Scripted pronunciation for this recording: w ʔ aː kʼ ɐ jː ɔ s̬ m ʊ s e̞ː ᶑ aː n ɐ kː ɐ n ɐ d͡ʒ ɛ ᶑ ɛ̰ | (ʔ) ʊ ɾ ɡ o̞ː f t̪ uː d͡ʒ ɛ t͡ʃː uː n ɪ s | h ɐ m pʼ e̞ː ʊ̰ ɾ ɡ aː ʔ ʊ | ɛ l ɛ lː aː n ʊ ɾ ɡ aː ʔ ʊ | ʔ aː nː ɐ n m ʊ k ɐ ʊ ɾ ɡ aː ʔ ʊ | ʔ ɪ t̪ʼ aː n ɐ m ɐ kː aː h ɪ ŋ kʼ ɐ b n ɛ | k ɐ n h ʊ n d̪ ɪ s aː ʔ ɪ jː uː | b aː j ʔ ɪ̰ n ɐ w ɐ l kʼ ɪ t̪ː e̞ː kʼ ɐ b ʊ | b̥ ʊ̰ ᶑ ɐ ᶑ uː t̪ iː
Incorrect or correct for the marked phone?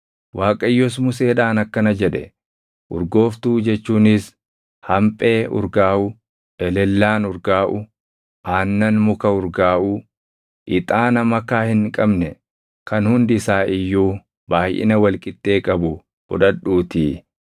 correct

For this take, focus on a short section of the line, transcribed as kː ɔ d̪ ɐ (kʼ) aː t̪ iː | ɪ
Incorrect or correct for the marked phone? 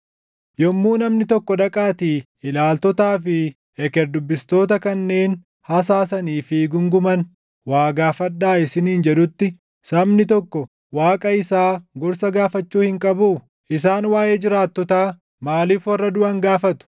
correct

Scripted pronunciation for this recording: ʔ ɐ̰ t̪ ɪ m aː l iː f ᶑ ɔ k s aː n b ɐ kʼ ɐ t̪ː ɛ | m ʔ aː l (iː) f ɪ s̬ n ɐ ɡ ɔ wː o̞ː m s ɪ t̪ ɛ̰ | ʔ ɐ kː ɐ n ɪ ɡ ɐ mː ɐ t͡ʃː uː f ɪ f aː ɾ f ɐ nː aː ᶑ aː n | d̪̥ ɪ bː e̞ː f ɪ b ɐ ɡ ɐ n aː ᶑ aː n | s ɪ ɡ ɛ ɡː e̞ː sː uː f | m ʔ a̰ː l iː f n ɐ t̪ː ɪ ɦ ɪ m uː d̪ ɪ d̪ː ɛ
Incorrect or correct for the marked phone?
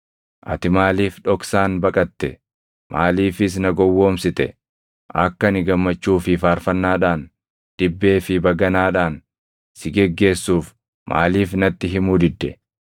correct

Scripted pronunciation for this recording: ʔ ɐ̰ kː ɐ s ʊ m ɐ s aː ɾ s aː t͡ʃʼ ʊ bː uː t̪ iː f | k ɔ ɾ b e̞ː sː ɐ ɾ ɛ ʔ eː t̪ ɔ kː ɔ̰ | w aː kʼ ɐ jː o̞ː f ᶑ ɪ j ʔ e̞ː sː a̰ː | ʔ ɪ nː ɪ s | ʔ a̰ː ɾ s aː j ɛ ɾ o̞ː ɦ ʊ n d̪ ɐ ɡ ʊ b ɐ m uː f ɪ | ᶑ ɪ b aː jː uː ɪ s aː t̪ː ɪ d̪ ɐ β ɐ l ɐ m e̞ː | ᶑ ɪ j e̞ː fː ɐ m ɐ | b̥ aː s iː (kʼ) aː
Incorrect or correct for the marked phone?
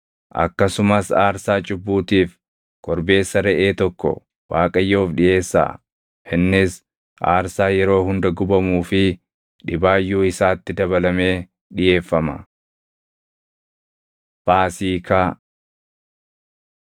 incorrect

